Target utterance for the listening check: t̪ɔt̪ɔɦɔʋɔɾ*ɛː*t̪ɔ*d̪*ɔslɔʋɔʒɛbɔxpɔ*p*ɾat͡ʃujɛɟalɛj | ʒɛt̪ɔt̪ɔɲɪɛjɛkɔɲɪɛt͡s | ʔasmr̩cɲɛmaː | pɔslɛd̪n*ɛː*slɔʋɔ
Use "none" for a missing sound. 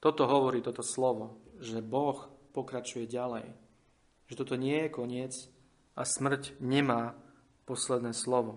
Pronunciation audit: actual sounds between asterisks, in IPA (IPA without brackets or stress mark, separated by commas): iː, t̪, k, ɛː